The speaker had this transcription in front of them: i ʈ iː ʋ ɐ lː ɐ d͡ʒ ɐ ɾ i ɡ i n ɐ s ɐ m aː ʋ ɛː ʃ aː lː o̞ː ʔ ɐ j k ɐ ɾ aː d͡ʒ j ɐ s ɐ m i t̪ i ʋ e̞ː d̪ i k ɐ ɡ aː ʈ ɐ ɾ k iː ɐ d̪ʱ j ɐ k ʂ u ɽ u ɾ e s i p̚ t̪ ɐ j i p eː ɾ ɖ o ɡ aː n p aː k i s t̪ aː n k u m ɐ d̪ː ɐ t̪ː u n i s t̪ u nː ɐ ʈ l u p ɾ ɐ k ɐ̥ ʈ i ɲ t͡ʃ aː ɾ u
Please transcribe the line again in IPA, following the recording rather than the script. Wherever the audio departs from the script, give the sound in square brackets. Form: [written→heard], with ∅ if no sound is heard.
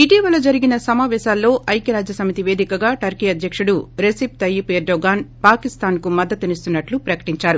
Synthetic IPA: i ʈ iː ʋ ɐ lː ɐ d͡ʒ ɐ ɾ i ɡ i n ɐ s ɐ m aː ʋ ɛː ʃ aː lː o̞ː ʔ ɐ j k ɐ ɾ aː d͡ʒ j ɐ s ɐ m i t̪ i ʋ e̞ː d̪ i k ɐ ɡ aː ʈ ɐ ɾ k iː ɐ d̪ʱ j ɐ k ʂ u ɽ u ɾ e s i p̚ t̪ ɐ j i p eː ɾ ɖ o ɡ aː n p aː k i s t̪ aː n k u m ɐ d̪ː ɐ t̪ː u n i s t̪ u nː ɐ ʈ l u p ɾ ɐ k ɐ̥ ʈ i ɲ t͡ʃ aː ɾ u

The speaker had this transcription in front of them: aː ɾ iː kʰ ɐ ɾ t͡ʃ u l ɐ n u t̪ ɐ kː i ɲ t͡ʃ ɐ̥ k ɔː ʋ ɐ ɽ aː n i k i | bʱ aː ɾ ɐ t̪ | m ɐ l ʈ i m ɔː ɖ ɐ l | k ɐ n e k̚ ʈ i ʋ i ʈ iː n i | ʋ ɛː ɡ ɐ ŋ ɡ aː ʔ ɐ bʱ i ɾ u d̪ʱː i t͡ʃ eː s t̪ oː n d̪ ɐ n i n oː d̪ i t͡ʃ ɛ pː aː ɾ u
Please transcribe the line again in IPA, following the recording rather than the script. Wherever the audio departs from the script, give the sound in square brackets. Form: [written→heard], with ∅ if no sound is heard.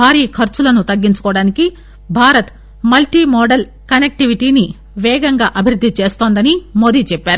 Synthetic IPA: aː ɾ iː kʰ ɐ ɾ t͡ʃ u l ɐ n u t̪ ɐ [kː→ɡː] i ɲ t͡ʃ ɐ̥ k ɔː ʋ ɐ ɽ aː n i k i | bʱ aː ɾ ɐ t̪ | m ɐ l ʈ i m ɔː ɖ ɐ l | k ɐ n e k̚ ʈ i ʋ i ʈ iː n i | ʋ ɛː ɡ ɐ ŋ ɡ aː ʔ ɐ bʱ i ɾ u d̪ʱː i t͡ʃ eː s t̪ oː n d̪ ɐ n i [n→m] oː d̪ i t͡ʃ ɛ pː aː ɾ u

